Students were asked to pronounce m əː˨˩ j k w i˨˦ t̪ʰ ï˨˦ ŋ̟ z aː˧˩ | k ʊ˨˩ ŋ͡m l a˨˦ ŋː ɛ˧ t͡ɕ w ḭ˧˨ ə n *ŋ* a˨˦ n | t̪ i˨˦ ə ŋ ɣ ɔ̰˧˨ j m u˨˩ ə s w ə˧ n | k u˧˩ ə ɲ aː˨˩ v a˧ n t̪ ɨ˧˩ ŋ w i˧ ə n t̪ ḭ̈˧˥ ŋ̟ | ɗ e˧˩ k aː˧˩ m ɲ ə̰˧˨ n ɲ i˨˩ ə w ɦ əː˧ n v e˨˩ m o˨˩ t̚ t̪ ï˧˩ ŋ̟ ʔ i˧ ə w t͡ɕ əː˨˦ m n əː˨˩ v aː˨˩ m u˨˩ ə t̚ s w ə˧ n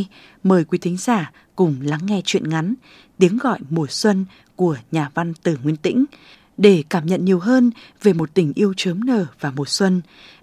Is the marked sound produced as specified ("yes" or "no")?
yes